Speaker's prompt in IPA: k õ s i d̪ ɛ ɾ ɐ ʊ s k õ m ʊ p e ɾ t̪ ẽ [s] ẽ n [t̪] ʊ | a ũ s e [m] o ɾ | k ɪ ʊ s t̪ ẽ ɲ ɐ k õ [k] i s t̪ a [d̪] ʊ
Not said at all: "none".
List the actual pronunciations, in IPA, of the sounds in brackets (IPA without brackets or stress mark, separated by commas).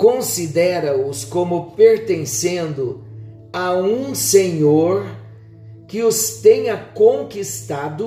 s, d̪, ɲ, k, d̪